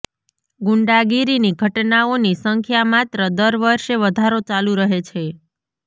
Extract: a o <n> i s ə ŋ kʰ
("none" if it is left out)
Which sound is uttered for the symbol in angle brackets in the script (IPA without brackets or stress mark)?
n